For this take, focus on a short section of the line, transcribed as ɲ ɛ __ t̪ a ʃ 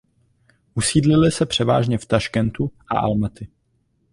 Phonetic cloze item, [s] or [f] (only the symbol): f